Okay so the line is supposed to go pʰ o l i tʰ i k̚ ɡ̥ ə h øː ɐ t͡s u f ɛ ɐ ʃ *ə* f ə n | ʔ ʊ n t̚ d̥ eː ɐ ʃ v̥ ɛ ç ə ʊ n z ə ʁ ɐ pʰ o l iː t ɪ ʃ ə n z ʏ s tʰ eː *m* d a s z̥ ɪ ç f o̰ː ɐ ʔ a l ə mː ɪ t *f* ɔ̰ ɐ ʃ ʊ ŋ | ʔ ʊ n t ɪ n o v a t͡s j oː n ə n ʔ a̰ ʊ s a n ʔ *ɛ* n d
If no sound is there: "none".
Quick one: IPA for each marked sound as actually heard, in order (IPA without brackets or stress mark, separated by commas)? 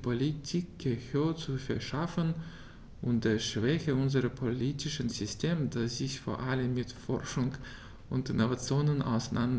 a, m, f, a